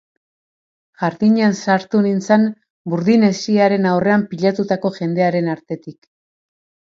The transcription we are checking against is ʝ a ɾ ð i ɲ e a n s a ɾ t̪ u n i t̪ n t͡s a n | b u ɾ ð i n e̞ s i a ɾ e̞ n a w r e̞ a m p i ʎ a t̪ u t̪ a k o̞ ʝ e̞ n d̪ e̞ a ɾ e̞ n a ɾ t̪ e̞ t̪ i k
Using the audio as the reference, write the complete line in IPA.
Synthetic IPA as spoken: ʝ a ɾ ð i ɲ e a n s a ɾ t̪ u n i n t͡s a n | b u ɾ ð i n e̞ s i a ɾ e̞ n a w r e̞ a m p i ʎ a t̪ u t̪ a k o̞ ʝ e̞ n d̪ e̞ a ɾ e̞ n a ɾ t̪ e̞ t̪ i k

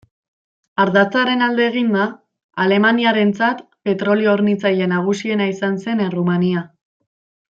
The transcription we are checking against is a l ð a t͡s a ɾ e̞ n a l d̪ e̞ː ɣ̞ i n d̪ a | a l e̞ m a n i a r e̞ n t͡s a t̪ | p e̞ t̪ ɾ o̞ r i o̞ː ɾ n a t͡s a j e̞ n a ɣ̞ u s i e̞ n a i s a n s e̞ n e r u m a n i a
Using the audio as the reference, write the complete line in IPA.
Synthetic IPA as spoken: a ɾ ð a t͡s a ɾ e̞ n a l d̪ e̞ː ɣ̞ i n d̪ a | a l e̞ m a n i a ɾ e̞ n t͡s a t̪ | p e̞ t̪ ɾ o̞ l i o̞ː ɾ n i t͡s a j e̞ n a ɣ̞ u s i e̞ n a i s a n s e̞ n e r u m a n i a

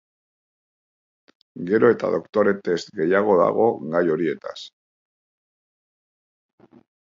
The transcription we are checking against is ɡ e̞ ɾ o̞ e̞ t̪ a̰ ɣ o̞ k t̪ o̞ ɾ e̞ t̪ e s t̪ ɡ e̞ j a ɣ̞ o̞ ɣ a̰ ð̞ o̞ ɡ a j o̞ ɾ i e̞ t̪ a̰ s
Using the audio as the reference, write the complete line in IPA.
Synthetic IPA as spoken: ɡ e̞ ɾ o̞ e̞ t̪ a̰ ð o̞ k t̪ o̞ ɾ e̞ t̪ e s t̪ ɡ e̞ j a ɣ̞ o̞ ð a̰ ɣ̞ o̞ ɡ a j o̞ ɾ i e̞ t̪ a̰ s

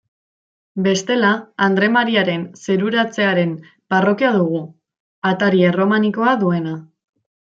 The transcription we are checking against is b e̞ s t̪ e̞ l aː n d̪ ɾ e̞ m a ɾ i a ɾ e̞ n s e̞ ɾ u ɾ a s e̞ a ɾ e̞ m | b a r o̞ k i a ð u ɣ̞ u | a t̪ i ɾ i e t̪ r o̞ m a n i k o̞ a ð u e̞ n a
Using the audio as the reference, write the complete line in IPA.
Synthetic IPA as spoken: b e̞ s t̪ e̞ l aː n d̪ ɾ e̞ m a ɾ i a ɾ e̞ n s e̞ ɾ u ɾ a t͡s e̞ a ɾ e̞ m | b a r o̞ k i a ð u ɣ̞ u | a t̪ a ɾ i e r o̞ m a n i k o̞ a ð u e̞ n a

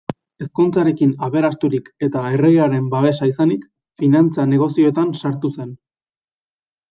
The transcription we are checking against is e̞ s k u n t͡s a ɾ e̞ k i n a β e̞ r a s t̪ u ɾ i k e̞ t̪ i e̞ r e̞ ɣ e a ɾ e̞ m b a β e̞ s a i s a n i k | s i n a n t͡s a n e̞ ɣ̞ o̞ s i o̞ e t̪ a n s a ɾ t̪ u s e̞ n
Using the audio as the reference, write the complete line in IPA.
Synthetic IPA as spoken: e̞ s k u n t͡s a ɾ e̞ k i n a β e̞ ɾ a s t̪ u ɾ i k e̞ t̪ a e̞ r e̞ ɣ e a ɾ e̞ m b a β e̞ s a i s a n i k | f i n a n t͡s a n e̞ ɣ̞ o̞ s i o̞ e t̪ a n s a ɾ t̪ u s e̞ n

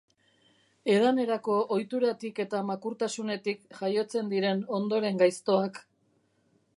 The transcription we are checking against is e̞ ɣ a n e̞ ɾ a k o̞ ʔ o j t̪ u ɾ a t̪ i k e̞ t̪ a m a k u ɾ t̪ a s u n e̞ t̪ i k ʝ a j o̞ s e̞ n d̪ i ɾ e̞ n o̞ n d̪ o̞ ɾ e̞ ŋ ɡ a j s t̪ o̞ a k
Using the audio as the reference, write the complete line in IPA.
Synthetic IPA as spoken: e̞ ð a n e̞ ɾ a k o̞ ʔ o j t̪ u ɾ a t̪ i k e̞ t̪ a m a k u ɾ t̪ a s u n e̞ t̪ i k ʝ a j o̞ t͡s e̞ n d̪ i ɾ e̞ n o̞ n d̪ o̞ ɾ e̞ ŋ ɡ a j s t̪ o̞ a k

